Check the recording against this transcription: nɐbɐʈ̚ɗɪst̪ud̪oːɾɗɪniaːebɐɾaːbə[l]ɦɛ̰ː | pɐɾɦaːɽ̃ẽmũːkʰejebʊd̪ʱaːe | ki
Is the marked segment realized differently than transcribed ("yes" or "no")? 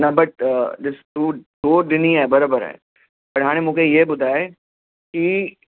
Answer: yes